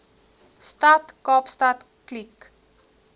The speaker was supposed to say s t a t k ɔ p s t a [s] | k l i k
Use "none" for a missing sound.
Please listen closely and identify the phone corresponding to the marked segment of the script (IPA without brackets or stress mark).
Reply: t